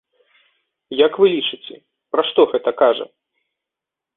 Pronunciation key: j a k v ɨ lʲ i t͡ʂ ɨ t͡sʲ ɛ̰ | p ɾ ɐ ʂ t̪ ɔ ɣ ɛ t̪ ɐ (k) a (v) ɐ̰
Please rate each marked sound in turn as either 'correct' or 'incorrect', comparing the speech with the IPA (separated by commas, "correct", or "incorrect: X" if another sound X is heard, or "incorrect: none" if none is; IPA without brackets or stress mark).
correct, incorrect: ʐ